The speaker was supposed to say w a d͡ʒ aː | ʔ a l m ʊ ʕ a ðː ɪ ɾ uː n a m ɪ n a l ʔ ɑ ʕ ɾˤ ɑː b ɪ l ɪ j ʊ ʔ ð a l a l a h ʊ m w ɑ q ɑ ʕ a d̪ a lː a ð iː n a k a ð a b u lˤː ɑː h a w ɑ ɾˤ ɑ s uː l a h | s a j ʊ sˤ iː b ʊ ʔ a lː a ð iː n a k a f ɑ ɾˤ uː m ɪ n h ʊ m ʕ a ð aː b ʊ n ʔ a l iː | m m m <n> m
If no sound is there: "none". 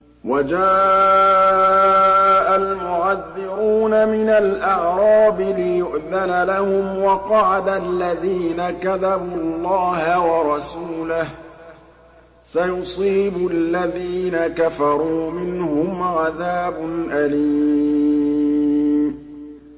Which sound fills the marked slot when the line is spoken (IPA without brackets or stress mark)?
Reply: m